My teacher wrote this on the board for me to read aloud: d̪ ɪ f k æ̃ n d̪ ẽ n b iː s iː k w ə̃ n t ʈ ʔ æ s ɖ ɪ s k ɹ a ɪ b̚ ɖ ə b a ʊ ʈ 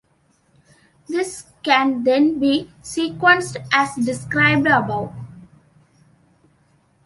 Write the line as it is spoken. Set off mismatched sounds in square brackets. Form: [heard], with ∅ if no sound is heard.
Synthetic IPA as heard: d̪ ɪ [s] k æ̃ n d̪ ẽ n b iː s iː k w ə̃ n [s] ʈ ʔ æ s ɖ ɪ s k [ɾ] a ɪ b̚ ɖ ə b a ʊ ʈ